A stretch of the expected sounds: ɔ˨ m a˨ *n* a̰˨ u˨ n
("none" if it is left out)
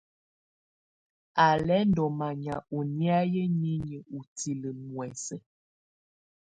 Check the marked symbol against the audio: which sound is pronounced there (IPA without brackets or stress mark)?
ɲ